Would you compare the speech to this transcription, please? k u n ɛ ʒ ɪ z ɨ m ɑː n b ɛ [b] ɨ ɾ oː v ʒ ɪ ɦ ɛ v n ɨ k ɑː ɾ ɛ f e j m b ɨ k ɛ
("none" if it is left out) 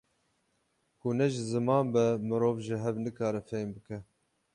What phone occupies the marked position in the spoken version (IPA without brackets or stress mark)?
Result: m